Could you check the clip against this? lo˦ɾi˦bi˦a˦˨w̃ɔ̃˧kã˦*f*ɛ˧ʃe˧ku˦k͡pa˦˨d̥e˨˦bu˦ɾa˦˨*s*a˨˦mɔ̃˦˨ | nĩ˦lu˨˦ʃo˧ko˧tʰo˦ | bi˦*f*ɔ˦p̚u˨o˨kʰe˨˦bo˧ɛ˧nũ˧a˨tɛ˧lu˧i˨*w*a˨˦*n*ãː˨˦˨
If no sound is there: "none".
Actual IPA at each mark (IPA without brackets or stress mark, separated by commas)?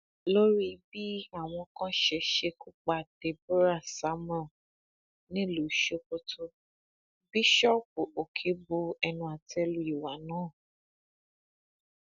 ʃ, s, ʃ, w, n